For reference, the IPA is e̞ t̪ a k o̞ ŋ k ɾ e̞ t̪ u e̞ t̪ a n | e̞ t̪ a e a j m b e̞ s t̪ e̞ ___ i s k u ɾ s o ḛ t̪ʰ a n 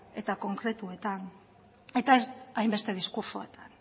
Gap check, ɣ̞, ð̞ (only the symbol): ð̞